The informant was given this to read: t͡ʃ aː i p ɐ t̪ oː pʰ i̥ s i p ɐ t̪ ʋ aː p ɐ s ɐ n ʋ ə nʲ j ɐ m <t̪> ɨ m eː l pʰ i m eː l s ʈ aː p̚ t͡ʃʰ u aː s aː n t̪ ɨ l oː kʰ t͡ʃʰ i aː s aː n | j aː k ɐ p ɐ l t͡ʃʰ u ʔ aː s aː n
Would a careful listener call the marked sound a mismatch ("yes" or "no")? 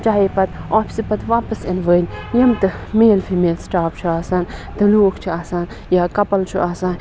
no